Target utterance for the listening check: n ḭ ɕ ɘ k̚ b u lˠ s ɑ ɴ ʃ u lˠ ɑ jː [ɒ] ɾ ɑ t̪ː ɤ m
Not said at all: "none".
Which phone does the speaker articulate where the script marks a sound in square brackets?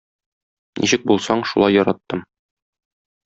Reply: ɒ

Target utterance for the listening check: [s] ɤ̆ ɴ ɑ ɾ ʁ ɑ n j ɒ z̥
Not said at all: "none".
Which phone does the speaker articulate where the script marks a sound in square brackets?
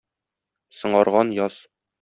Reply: s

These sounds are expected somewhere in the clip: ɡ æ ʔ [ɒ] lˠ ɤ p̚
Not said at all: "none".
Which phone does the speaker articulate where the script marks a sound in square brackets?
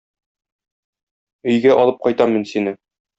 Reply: ɒ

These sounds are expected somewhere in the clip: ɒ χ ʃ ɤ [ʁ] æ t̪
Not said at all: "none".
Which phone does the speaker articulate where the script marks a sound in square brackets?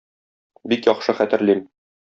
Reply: χ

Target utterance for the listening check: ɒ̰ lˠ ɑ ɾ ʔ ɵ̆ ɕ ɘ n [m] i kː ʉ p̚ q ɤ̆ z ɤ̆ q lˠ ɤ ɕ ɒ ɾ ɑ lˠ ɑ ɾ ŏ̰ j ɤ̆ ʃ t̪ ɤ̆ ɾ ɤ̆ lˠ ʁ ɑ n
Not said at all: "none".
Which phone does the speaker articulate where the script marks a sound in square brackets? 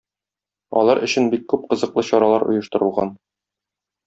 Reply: b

